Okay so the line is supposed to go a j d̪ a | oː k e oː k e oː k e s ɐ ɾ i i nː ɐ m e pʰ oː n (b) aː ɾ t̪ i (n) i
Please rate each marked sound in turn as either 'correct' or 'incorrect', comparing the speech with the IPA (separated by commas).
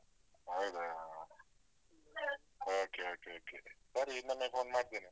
incorrect, correct